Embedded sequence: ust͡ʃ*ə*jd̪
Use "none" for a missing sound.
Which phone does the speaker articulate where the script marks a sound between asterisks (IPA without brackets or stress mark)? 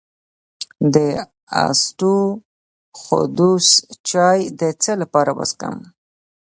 ɑ